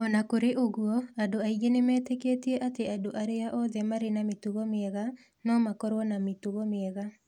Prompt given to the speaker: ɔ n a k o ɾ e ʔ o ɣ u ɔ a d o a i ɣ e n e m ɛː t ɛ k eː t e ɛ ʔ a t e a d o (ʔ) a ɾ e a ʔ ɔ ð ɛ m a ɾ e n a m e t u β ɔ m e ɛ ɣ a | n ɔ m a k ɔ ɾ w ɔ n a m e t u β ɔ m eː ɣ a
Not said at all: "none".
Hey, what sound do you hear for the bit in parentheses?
ʔ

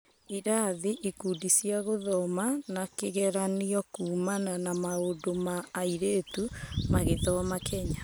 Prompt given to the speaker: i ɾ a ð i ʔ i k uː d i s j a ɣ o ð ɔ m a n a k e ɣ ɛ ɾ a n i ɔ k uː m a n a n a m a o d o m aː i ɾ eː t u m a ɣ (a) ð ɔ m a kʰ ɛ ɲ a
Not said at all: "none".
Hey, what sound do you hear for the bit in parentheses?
e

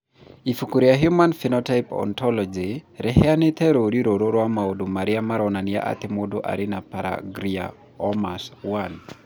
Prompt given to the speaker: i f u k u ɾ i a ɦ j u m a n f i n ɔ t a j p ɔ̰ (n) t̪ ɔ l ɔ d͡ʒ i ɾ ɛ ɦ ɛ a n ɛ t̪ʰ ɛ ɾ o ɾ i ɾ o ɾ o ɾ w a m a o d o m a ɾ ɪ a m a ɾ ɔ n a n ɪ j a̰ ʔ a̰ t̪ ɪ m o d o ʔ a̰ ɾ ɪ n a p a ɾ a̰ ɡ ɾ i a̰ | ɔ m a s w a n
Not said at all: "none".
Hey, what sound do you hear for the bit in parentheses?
n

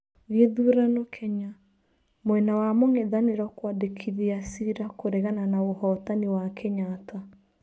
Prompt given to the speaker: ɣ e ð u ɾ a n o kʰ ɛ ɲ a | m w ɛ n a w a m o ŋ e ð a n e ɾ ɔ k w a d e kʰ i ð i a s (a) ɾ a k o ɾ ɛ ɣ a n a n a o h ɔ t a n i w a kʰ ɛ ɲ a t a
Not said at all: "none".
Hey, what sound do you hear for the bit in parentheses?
i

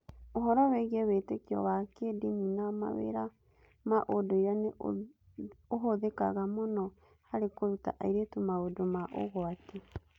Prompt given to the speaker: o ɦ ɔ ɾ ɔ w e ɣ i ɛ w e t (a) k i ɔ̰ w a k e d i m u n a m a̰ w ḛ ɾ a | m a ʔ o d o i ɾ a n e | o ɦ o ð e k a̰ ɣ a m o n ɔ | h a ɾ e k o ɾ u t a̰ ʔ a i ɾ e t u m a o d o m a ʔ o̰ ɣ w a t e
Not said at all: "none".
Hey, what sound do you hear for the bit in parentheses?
e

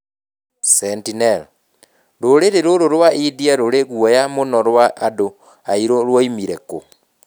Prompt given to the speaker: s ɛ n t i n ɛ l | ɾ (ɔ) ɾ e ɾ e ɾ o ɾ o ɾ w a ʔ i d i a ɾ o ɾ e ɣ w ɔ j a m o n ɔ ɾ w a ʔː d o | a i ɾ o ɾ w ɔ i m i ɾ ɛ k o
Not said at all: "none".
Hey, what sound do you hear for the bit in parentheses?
o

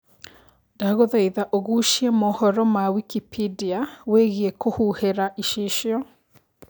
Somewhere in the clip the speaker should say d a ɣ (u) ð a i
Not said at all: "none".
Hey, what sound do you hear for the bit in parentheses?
o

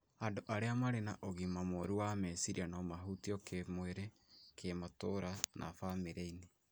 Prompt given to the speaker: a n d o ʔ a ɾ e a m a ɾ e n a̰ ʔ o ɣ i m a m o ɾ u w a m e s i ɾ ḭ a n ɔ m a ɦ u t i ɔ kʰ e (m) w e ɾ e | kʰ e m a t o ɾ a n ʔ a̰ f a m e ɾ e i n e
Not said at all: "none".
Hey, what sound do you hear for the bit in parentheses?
m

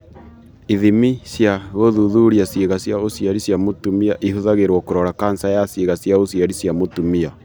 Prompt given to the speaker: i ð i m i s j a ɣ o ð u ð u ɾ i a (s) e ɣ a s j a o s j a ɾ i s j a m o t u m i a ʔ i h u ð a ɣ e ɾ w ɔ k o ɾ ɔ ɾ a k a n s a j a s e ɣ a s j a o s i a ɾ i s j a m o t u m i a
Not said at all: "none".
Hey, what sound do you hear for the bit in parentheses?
s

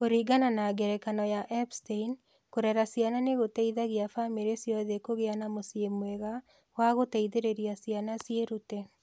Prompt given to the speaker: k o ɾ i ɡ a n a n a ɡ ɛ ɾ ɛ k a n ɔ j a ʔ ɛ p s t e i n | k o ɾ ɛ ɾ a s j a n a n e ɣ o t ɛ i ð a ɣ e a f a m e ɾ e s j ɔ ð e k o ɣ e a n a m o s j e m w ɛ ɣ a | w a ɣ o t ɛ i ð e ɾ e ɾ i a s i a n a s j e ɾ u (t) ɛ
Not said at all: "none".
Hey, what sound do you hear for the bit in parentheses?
t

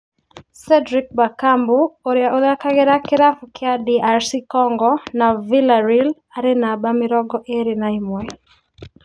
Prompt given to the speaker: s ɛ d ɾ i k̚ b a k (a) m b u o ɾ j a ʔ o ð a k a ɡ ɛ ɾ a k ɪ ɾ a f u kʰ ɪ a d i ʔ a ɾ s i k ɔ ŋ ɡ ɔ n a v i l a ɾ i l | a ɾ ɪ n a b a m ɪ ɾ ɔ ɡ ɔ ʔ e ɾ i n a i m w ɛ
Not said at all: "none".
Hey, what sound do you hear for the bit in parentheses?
a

